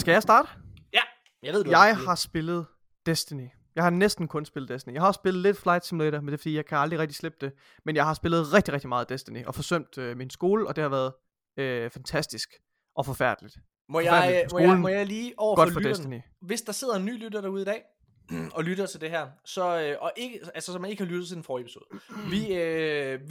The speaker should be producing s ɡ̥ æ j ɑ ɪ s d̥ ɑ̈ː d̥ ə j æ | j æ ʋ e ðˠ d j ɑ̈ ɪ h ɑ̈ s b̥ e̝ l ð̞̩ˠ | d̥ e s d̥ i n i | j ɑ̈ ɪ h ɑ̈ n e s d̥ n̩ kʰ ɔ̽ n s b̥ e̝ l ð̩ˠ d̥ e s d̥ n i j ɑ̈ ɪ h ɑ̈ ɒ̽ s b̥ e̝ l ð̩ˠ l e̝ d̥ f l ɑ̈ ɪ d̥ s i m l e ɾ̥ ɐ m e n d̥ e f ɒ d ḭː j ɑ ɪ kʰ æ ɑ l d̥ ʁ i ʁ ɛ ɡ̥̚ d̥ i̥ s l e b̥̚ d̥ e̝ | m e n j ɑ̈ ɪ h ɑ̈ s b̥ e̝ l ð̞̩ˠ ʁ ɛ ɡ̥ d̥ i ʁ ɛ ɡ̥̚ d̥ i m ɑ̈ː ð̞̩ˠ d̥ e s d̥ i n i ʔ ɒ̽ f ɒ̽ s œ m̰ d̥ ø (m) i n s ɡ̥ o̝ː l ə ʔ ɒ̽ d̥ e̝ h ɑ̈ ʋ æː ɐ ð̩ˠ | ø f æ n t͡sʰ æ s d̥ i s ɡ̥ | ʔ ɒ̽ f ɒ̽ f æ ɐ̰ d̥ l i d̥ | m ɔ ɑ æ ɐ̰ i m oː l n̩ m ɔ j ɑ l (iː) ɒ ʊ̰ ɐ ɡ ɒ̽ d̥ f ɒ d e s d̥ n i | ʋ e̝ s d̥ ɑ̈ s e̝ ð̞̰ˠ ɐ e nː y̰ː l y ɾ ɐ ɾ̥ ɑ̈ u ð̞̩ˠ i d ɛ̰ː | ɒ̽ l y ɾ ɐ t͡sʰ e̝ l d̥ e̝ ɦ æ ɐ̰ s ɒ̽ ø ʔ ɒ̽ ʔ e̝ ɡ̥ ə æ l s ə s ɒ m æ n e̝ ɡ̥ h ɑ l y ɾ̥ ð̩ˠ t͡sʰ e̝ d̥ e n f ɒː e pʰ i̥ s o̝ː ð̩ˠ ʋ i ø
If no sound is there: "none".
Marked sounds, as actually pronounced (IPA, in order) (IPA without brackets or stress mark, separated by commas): m, iː